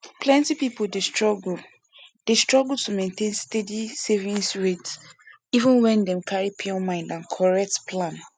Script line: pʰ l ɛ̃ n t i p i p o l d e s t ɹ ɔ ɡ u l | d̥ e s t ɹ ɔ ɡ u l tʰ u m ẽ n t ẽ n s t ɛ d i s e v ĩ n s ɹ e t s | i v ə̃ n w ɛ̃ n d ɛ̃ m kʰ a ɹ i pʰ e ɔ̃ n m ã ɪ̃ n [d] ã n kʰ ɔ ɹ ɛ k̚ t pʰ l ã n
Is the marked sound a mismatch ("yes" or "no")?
no